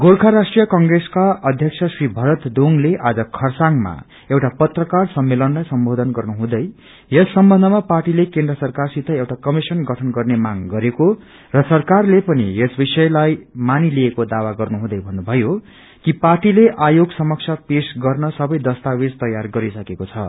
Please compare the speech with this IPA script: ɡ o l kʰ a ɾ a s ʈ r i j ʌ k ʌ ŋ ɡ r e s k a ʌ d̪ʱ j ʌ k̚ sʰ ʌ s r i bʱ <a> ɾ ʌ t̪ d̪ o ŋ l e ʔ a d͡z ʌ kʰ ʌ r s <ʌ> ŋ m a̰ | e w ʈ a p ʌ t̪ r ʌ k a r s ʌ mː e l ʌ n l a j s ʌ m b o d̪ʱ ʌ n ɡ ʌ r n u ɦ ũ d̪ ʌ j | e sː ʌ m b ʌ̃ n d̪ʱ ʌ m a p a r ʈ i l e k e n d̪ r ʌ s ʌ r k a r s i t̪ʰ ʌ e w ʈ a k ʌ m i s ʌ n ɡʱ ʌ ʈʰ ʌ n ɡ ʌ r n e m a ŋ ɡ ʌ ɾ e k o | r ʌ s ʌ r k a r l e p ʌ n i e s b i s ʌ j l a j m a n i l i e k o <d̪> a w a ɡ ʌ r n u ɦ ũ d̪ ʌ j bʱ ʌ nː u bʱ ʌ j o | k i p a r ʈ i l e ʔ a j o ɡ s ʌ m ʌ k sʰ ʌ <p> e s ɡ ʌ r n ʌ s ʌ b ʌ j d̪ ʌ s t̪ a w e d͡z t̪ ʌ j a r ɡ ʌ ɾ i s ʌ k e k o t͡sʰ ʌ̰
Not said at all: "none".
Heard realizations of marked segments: ʌ, a, d̪, p

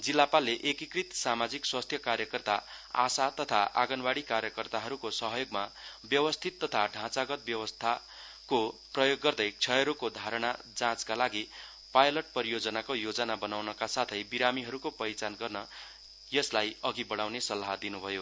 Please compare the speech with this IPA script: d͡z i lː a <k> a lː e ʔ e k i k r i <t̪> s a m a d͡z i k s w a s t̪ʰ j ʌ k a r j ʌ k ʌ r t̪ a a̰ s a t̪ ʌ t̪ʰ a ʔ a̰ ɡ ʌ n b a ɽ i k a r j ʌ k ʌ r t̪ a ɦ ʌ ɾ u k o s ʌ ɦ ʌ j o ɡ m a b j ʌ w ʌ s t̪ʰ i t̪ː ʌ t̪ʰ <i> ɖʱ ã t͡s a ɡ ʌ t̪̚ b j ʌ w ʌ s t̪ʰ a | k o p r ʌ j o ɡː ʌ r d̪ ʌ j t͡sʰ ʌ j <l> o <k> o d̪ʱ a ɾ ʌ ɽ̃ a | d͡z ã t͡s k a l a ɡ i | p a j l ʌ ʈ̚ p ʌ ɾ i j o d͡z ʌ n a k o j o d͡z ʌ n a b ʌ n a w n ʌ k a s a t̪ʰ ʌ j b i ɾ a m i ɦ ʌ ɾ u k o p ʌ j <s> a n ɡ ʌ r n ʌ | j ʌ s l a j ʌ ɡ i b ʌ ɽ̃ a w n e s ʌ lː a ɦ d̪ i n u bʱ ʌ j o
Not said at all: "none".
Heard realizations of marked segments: p, t̪, a, ɾ, k, t͡s

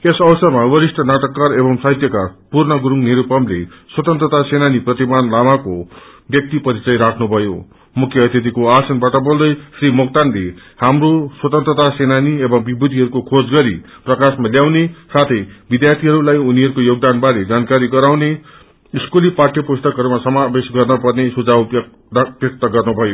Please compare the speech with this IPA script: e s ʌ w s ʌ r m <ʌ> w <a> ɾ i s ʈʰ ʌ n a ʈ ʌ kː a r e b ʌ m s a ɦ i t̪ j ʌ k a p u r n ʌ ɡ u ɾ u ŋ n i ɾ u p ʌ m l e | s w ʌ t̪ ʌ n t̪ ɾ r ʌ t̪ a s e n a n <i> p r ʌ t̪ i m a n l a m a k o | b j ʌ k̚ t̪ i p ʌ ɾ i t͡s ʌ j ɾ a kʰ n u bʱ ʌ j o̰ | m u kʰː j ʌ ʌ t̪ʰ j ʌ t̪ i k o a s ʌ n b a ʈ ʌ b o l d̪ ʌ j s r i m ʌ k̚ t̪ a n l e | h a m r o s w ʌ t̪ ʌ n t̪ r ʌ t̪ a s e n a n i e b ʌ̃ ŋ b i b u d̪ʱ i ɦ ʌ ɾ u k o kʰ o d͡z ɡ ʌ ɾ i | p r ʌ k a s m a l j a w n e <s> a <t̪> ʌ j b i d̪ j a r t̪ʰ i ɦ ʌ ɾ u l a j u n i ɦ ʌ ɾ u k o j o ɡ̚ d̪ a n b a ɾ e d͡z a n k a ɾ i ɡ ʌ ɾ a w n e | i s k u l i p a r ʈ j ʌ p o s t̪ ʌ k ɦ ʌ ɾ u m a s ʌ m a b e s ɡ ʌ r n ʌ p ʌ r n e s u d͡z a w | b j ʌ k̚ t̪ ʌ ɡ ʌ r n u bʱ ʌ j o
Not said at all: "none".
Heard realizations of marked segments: a, ʌ, i, s, t̪ʰ

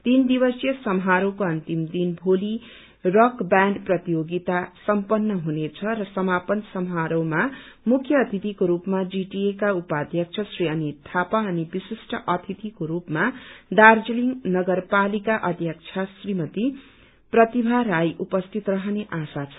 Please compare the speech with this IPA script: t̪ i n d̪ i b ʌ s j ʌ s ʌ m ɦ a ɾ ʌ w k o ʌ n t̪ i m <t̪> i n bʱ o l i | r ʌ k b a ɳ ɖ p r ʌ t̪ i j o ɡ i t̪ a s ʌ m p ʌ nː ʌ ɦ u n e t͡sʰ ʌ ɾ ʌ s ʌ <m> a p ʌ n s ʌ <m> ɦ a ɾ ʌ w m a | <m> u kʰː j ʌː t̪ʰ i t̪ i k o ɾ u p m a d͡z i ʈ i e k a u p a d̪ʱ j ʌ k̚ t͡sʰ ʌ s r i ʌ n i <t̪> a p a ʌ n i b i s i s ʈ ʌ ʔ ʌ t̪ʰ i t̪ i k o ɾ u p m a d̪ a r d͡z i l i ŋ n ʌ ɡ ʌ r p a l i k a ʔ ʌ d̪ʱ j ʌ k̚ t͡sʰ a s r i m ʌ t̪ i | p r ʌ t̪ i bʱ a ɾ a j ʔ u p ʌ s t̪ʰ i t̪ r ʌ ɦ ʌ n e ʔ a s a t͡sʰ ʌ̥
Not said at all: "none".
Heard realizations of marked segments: d̪, m, m, m, t̪ʰ

